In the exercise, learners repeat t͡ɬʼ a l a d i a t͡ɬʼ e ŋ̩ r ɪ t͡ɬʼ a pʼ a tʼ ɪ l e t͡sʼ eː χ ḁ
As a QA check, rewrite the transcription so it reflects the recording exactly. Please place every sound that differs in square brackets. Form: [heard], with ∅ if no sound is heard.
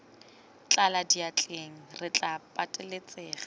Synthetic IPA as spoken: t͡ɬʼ a l a d i a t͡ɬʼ e ŋ̩ r ɪ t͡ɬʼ a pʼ a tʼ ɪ l e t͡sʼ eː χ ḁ